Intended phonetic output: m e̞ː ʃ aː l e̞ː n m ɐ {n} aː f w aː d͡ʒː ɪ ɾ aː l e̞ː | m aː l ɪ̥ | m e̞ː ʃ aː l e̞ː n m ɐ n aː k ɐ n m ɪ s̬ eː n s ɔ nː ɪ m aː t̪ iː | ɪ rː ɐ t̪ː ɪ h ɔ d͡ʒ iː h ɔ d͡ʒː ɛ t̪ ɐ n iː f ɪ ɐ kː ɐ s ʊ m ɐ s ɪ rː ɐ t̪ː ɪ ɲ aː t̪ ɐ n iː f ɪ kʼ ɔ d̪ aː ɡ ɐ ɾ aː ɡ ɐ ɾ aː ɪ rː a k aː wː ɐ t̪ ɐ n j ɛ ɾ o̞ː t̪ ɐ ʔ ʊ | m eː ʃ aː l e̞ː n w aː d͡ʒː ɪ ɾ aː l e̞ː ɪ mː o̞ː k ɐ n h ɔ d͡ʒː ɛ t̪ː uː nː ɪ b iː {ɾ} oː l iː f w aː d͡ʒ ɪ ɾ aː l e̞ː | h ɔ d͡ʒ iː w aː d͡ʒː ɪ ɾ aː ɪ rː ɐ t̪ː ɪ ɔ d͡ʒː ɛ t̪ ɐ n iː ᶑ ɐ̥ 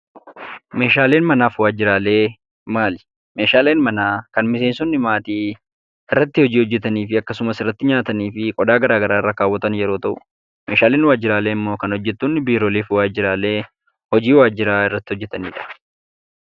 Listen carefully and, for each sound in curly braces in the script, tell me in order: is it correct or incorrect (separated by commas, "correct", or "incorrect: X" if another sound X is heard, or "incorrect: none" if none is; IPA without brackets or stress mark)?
correct, correct